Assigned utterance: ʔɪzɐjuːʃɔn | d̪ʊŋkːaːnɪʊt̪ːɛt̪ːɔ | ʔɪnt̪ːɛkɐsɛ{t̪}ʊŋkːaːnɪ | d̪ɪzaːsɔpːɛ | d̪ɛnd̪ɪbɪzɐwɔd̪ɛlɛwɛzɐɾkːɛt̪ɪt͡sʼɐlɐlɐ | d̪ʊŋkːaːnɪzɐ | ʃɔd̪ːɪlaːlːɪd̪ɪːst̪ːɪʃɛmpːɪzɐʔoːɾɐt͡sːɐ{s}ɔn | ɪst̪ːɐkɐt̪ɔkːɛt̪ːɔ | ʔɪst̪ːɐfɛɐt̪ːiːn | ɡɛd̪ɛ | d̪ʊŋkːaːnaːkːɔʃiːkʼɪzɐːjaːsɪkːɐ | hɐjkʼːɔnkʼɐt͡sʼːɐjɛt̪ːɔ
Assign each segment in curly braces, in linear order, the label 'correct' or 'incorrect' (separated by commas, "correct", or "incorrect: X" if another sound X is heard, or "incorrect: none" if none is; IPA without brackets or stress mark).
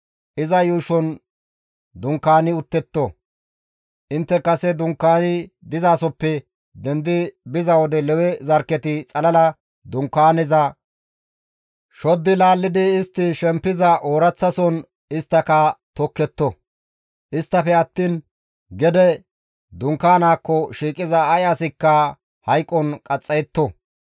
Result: incorrect: d̪, correct